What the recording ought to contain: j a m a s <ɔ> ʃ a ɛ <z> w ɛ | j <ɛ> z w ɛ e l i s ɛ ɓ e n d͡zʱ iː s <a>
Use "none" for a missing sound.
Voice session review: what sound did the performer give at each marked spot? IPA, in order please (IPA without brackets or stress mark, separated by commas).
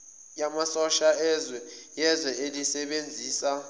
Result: ɔ, z, ɛ, a